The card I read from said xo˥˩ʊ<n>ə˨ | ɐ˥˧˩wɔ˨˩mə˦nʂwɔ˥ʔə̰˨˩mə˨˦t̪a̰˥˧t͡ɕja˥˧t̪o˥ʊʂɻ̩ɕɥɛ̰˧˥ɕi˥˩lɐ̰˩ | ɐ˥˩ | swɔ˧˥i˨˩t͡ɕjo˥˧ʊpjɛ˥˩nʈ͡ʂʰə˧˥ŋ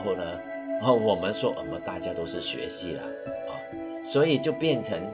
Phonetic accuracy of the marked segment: correct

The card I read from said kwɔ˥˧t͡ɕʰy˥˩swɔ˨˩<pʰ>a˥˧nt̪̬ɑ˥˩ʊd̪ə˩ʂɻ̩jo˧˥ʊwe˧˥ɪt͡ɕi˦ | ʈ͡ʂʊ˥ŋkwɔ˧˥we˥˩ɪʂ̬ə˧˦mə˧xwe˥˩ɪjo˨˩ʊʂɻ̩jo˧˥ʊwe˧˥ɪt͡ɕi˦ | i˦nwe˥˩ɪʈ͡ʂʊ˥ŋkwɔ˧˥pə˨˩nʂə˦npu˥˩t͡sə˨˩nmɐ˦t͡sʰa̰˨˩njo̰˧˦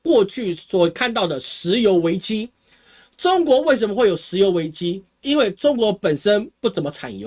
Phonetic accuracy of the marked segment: incorrect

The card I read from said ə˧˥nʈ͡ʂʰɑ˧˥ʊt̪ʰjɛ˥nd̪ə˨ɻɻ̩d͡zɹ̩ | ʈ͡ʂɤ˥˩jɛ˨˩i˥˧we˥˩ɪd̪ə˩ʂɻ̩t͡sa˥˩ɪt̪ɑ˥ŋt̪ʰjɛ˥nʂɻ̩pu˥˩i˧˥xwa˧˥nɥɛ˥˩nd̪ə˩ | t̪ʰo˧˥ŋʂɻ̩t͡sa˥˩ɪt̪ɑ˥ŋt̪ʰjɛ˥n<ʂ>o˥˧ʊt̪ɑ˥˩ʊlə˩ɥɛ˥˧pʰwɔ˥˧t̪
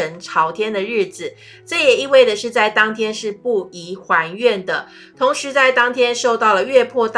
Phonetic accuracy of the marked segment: correct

